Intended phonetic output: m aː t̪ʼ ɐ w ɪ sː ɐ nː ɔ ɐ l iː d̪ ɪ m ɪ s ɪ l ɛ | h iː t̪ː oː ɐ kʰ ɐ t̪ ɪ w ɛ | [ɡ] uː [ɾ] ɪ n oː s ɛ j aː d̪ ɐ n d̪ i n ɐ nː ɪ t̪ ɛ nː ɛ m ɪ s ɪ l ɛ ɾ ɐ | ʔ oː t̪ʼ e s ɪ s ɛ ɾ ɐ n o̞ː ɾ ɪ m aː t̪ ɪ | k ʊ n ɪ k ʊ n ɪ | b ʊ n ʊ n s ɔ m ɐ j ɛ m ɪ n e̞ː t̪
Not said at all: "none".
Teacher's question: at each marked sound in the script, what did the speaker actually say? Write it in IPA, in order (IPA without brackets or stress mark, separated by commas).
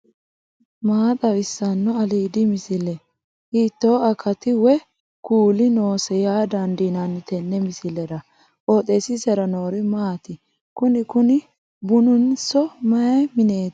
k, l